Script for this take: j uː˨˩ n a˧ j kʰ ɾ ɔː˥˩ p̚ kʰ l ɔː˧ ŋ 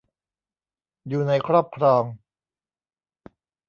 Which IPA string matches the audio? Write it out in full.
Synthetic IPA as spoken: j uː˨˩ n a˧ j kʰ ɾ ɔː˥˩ p̚ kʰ ɾ ɔː˧ ŋ